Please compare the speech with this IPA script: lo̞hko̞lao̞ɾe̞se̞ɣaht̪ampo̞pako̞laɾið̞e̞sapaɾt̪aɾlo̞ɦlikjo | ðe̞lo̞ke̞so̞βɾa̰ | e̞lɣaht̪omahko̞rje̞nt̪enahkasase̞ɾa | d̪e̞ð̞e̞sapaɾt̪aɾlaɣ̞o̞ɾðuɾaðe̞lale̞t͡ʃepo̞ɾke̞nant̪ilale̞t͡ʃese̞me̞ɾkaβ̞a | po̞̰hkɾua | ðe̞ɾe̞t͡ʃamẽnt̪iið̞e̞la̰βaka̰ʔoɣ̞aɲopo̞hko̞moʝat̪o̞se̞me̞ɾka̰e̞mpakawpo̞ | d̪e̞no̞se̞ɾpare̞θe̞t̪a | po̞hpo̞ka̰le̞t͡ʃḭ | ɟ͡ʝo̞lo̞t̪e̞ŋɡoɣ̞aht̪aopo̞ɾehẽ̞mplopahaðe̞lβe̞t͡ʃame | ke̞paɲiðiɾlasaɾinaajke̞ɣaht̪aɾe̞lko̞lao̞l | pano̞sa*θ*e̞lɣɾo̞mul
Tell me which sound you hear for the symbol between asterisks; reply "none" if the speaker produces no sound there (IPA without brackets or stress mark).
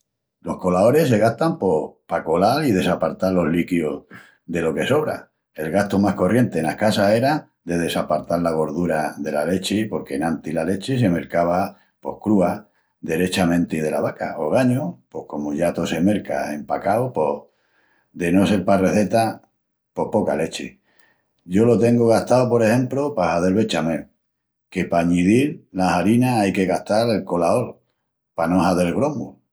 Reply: ð